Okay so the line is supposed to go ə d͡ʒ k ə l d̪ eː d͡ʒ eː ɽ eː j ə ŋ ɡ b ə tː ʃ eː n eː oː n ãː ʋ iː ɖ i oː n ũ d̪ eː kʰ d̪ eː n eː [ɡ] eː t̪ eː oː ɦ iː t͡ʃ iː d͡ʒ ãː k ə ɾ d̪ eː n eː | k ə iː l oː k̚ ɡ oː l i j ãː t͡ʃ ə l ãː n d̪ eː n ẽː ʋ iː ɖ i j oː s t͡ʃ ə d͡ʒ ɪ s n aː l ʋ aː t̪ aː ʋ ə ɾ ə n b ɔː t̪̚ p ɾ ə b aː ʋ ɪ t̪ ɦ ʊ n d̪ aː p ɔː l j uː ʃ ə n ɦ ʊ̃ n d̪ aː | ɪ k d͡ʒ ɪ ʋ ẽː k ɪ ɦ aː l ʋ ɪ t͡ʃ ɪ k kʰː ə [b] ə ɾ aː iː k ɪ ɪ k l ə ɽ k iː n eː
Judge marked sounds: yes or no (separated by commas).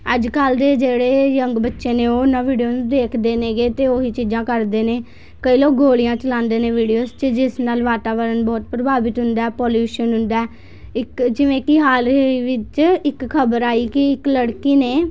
yes, yes